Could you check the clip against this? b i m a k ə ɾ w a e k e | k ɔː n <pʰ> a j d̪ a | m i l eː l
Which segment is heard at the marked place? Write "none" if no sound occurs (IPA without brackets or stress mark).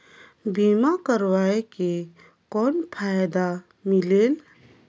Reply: pʰ